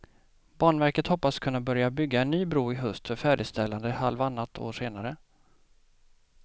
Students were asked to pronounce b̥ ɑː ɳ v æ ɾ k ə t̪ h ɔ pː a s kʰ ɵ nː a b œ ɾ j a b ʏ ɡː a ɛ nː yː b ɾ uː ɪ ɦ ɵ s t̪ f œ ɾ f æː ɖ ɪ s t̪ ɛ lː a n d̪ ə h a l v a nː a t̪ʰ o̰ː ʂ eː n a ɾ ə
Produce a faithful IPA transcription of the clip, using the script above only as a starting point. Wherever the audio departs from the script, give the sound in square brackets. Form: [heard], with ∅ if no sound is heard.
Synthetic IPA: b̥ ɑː ɳ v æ ɾ k ə t̪ h ɔ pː a s kʰ ɵ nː a b œ ɾ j a b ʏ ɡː a ɛ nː yː b ɾ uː ɪ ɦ ɵ s t̪ f œ ɾ f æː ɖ ɪ s t̪ ɛ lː a n d̪ ə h a l v a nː a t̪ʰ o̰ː ʂ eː n a ɾ ə